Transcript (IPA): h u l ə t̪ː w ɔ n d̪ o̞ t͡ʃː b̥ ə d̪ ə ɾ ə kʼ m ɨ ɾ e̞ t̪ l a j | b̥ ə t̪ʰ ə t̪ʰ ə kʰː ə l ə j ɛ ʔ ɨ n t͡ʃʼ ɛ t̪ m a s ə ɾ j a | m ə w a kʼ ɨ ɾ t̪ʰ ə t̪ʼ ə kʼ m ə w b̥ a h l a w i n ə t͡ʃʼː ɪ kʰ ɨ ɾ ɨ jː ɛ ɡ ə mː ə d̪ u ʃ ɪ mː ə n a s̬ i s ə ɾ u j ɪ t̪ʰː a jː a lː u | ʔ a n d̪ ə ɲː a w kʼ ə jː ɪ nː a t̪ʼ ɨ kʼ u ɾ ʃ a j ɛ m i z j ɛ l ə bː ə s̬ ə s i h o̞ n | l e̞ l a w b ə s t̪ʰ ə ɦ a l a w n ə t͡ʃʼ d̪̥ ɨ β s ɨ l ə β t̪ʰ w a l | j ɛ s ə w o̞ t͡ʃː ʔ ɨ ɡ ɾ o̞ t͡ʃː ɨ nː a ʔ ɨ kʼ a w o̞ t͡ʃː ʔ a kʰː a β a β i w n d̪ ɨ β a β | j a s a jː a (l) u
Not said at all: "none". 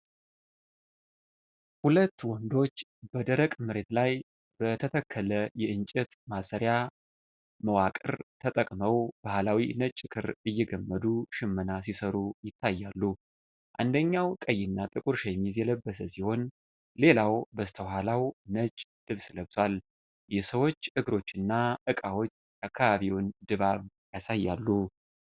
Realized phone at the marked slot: lː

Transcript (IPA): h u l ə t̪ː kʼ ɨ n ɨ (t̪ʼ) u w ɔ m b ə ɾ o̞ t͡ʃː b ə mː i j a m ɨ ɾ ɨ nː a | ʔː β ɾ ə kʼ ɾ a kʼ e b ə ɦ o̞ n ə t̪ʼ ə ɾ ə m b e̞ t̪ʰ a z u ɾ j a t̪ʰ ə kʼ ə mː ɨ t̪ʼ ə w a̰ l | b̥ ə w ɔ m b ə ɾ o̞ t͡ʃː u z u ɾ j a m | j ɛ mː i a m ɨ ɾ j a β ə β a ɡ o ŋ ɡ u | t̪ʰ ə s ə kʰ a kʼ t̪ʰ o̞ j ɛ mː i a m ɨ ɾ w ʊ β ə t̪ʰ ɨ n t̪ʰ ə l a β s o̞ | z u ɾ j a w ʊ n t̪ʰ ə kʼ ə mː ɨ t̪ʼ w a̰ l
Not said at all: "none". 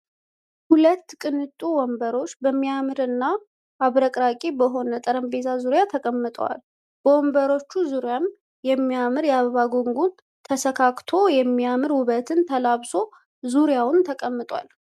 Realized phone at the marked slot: t̪ʼ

